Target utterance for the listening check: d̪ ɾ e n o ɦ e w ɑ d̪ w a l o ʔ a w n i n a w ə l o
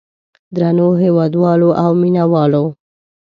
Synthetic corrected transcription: d̪ ɾ a n o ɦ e w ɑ d̪ w ɑ l o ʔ a w m i n a w ɑ l o